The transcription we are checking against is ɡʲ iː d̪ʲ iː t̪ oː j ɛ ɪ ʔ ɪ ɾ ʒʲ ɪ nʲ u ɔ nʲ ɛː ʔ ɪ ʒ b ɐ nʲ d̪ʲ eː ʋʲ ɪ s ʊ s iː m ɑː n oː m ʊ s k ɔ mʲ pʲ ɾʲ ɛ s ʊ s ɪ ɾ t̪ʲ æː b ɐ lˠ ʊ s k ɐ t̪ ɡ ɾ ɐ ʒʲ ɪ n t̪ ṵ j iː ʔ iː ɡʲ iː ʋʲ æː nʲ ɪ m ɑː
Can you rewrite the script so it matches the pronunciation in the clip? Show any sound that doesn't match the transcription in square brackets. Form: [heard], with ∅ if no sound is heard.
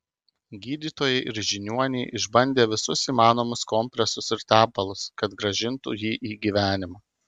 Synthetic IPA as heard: ɡʲ iː d̪ʲ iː t̪ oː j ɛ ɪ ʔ ɪ ɾ ʒʲ ɪ nʲ u ɔ nʲ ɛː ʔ ɪ ʒ b ɐ nʲ d̪ʲ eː ʋʲ ɪ s ʊ s iː m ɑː n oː m ʊ s k ɔ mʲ pʲ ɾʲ ɛ s ʊ s ɪ ɾ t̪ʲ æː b ɐ lˠ ʊ s k ɐ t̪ ɡ ɾ ɐ ʒʲ ɪ n t̪ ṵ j iː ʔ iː ɡʲ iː ʋʲ æː nʲ ɪ m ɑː

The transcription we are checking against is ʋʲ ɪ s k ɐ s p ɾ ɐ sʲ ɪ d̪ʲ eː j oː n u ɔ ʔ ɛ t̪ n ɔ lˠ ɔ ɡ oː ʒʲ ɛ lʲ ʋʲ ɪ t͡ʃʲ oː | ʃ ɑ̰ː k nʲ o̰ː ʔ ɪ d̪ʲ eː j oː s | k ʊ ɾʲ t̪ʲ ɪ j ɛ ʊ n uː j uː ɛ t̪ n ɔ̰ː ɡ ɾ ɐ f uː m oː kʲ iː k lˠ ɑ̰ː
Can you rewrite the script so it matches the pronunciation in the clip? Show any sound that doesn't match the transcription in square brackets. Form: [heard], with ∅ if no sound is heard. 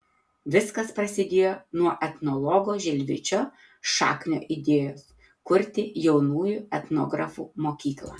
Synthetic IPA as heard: ʋʲ ɪ s k ɐ s p ɾ ɐ sʲ ɪ d̪ʲ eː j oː n u ɔ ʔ ɛ t̪ n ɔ lˠ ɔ ɡ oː ʒʲ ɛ lʲ ʋʲ ɪ t͡ʃʲ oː | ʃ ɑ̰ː k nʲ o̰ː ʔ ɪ d̪ʲ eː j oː s | k ʊ ɾʲ t̪ʲ ɪ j ɛ ʊ n uː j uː ɛ t̪ n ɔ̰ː ɡ ɾ ɐ f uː m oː kʲ iː k lˠ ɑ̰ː

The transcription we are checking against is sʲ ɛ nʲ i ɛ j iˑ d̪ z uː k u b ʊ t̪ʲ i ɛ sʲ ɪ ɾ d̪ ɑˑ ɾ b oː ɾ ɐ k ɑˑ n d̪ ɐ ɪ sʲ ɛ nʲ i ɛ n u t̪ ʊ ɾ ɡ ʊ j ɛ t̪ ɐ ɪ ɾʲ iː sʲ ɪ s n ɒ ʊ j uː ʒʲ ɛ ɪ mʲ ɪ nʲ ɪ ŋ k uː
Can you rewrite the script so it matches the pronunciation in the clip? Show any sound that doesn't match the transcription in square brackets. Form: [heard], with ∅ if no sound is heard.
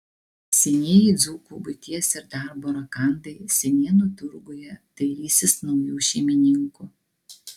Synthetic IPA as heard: sʲ ɛ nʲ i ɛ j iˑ d̪ z uː k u b ʊ t̪ʲ i ɛ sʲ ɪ ɾ d̪ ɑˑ ɾ b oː ɾ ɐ k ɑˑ n d̪ ɐ ɪ sʲ ɛ nʲ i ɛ n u t̪ ʊ ɾ ɡ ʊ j ɛ t̪ ɐ ɪ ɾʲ iː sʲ ɪ s n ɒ ʊ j uː [ʃʲ] ɛ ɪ mʲ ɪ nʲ ɪ ŋ k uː

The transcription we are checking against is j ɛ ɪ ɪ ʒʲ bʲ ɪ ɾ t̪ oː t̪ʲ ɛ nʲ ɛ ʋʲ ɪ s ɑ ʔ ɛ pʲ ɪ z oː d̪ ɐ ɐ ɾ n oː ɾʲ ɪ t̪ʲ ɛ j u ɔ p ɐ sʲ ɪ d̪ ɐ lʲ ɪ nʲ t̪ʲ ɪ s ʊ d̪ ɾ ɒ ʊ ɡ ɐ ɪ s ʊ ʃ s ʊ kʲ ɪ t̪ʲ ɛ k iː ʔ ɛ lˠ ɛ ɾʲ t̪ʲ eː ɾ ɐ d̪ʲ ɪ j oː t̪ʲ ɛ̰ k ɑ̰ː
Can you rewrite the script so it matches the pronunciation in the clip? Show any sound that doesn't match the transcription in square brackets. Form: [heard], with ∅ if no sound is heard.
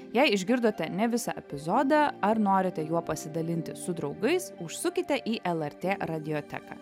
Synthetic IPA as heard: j ɛ ɪ ɪ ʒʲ [ɡʲ] ɪ ɾ [d̪] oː t̪ʲ ɛ nʲ ɛ ʋʲ ɪ s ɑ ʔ ɛ pʲ ɪ z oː d̪ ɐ ɐ ɾ n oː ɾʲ ɪ t̪ʲ ɛ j u ɔ p ɐ sʲ ɪ d̪ ɐ lʲ ɪ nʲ t̪ʲ ɪ s ʊ d̪ ɾ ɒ ʊ ɡ ɐ ɪ s ʊ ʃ s ʊ kʲ ɪ t̪ʲ ɛ [ʔ] iː ʔ ɛ lˠ ɛ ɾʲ t̪ʲ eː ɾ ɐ d̪ʲ ɪ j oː t̪ʲ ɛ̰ k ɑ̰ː

